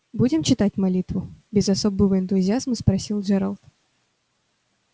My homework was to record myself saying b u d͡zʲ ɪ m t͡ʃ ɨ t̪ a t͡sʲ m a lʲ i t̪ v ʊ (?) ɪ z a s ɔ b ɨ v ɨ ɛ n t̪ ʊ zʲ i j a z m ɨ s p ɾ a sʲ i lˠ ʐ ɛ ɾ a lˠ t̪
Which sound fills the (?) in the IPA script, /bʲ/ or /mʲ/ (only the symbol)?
bʲ